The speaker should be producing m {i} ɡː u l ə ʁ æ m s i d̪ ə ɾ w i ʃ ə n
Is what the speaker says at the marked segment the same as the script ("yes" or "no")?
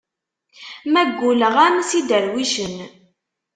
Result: no